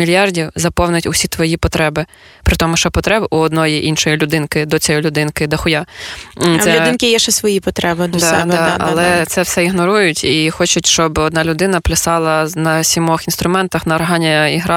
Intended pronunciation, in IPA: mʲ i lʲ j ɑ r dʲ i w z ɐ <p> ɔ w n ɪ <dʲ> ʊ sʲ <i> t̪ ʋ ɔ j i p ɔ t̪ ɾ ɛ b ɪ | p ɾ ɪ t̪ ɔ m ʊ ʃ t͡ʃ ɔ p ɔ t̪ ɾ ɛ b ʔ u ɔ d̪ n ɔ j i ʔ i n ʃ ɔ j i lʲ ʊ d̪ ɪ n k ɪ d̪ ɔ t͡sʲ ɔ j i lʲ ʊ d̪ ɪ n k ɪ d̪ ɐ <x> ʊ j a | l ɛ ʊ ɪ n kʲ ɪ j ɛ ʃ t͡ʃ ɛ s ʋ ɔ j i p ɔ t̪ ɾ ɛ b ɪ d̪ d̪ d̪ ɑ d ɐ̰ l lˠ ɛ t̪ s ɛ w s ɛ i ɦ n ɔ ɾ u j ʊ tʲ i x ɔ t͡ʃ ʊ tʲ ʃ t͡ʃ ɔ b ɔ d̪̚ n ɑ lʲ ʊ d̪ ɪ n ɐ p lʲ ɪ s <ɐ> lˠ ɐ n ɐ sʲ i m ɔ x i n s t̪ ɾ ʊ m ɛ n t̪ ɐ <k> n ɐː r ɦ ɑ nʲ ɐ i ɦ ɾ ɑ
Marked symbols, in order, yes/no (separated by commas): yes, no, yes, yes, no, no